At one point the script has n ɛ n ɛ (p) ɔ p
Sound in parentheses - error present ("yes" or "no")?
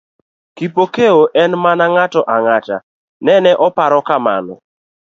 yes